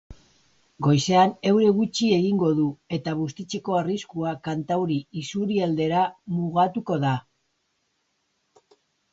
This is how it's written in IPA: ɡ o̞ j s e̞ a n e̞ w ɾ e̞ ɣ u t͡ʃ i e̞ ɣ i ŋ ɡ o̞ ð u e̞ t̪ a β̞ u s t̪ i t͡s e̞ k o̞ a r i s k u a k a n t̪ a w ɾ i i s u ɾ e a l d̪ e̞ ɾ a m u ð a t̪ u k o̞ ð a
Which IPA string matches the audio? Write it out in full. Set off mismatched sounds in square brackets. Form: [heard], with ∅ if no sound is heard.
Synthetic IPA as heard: ɡ o̞ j s e̞ a n e̞ w ɾ e̞ ɣ u t͡ʃ i e̞ ɣ i ŋ ɡ o̞ ð u e̞ t̪ a β̞ u s t̪ i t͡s e̞ k o̞ a r i s k u a k a n t̪ a w ɾ i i s u ɾ [i] a l d̪ e̞ ɾ a m u [ɣ] a t̪ u k o̞ ð a

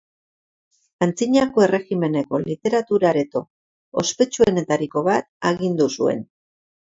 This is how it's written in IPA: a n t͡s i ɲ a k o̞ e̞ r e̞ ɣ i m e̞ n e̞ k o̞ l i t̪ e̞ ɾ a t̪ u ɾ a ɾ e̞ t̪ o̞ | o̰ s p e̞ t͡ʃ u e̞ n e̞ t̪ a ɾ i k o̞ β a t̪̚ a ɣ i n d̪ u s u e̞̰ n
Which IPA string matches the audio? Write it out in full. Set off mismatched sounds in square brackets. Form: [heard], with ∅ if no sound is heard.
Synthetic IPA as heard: a n t͡s i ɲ a k o̞ e̞ r e̞ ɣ i m e̞ n e̞ k o̞ l i t̪ e̞ ɾ a t̪ u ɾ a ɾ e̞ t̪ o̞ | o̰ s p e̞ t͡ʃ u e̞ n e̞ t̪ a ɾ i k o̞ β a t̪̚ a ɣ i n d̪ u s u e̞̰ n

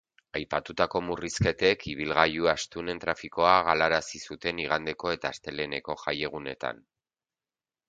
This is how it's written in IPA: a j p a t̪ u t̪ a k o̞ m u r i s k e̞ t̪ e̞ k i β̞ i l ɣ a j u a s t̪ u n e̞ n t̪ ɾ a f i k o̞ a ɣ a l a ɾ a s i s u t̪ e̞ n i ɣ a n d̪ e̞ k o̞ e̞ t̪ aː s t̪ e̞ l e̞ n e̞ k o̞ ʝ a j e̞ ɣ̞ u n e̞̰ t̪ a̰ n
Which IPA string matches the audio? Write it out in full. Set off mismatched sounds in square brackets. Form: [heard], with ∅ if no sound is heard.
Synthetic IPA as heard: a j p a t̪ u t̪ a k o̞ m u r i s k e̞ t̪ e̞ k i β̞ i l ɣ a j u a s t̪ u n e̞ n t̪ ɾ a f i k o̞ a ɣ a l a ɾ a s i s u t̪ e̞ n i ɣ a n d̪ e̞ k o̞ e̞ t̪ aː s t̪ e̞ l e̞ n e̞ k o̞ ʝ a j e̞ ɣ̞ u n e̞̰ t̪ a̰ n

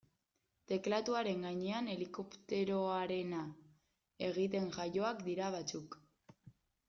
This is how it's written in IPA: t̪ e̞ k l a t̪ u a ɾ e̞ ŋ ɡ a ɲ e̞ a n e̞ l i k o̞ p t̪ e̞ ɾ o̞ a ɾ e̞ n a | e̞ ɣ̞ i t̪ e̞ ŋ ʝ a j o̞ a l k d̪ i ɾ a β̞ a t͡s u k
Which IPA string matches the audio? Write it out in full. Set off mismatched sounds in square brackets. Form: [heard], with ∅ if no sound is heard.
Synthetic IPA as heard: t̪ e̞ k l a t̪ u a ɾ e̞ ŋ ɡ a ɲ e̞ a n e̞ l i k o̞ p t̪ e̞ ɾ o̞ a ɾ e̞ n a | e̞ ɣ̞ i t̪ e̞ ŋ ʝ a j o̞ a [∅] k d̪ i ɾ a β̞ a t͡s u k

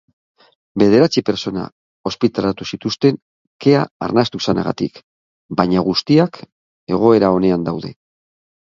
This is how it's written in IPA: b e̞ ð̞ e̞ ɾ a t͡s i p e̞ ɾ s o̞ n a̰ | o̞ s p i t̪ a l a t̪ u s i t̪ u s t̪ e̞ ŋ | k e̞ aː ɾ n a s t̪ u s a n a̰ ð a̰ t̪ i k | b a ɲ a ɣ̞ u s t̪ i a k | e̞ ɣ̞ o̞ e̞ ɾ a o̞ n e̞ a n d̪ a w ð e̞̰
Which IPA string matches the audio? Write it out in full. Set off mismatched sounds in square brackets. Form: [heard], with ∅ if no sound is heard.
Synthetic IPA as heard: b e̞ ð̞ e̞ ɾ a t͡s i p e̞ ɾ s o̞ n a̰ | o̞ s p i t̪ a l a t̪ u s i t̪ u s t̪ e̞ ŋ | k e̞ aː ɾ n a s t̪ u s a n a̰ [ɣ] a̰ t̪ i k | b a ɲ a ɣ̞ u s t̪ i a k | e̞ ɣ̞ o̞ e̞ ɾ a o̞ n e̞ a n d̪ a w ð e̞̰

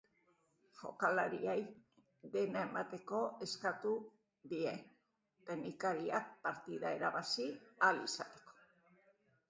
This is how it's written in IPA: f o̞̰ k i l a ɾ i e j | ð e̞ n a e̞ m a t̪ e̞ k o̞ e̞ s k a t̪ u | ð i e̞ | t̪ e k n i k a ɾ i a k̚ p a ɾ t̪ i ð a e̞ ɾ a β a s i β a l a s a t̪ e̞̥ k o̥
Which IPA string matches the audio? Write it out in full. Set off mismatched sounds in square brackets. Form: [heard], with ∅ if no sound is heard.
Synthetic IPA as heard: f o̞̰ k [a] l a ɾ i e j | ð e̞ n a e̞ m a t̪ e̞ k o̞ e̞ s k a t̪ u | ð i e̞ | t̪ e [∅] n i k a ɾ i a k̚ p a ɾ t̪ i ð a e̞ ɾ a β a s i [∅] a l [i] s a t̪ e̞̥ k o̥

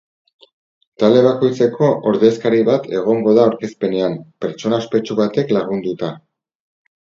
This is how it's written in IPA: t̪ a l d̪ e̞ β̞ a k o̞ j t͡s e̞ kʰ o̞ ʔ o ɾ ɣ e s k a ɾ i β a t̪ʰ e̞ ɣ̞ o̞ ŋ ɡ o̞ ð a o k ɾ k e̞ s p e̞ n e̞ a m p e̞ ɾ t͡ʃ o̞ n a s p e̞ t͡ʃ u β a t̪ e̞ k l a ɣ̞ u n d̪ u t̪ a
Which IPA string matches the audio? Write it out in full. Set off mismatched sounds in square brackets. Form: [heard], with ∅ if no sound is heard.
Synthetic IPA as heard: t̪ a l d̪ e̞ β̞ a k o̞ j t͡s e̞ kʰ o̞ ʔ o ɾ [ð] e s k a ɾ i β a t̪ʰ e̞ ɣ̞ o̞ ŋ ɡ o̞ ð a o [∅] ɾ k e̞ s p e̞ n e̞ a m p e̞ ɾ t͡ʃ o̞ n a s p e̞ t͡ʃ u β a t̪ e̞ k l a ɣ̞ u n d̪ u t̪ a

